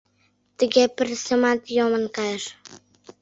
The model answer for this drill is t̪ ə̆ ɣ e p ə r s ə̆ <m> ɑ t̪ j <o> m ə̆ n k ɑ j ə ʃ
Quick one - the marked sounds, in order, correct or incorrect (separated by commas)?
correct, correct